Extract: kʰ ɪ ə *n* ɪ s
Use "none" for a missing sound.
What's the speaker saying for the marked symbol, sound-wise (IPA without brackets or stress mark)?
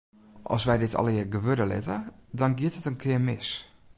m